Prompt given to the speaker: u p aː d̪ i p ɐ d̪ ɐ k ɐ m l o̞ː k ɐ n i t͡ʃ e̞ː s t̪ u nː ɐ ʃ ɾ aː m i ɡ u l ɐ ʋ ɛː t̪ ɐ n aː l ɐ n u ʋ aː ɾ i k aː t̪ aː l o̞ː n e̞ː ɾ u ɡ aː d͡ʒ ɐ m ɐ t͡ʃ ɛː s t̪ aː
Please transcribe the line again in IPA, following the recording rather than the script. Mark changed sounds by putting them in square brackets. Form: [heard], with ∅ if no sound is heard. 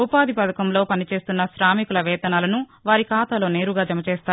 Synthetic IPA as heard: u p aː d̪ i p ɐ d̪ ɐ k ɐ m l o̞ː [p] ɐ n i t͡ʃ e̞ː s t̪ u nː ɐ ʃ ɾ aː m i [k] u l ɐ ʋ ɛː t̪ ɐ n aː l ɐ n u ʋ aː ɾ i k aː t̪ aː l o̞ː n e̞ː ɾ u ɡ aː d͡ʒ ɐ m ɐ t͡ʃ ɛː s t̪ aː